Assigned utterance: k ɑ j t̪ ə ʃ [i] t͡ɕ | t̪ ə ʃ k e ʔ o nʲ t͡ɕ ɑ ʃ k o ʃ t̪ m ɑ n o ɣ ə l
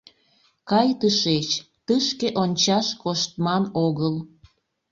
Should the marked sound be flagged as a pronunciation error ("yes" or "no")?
yes